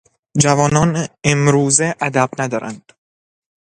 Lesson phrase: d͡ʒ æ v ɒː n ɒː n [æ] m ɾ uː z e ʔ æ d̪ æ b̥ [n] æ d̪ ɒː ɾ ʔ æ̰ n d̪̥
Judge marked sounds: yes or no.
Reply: no, yes

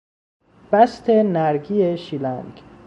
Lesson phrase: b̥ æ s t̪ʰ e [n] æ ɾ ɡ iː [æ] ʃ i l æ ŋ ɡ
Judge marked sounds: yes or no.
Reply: yes, no

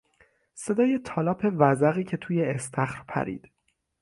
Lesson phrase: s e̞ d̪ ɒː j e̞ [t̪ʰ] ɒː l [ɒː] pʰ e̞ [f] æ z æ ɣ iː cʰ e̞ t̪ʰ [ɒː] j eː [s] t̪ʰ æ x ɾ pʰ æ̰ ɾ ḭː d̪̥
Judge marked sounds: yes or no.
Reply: yes, yes, no, no, yes

